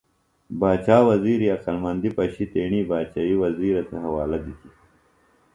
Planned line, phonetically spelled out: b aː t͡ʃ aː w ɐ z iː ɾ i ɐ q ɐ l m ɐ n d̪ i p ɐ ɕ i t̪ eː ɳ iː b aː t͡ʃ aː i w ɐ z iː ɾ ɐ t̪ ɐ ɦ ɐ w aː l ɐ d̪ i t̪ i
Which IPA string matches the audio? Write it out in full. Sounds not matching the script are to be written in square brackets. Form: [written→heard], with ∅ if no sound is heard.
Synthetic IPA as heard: b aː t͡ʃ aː w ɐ z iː ɾ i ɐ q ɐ l m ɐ n d̪ i p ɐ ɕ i t̪ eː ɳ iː b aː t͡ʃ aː i w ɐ z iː ɾ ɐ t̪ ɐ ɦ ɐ w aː l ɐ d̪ i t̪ i